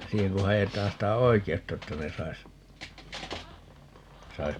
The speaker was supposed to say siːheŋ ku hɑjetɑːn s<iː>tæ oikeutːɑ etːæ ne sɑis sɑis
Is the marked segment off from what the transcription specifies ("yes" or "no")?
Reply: yes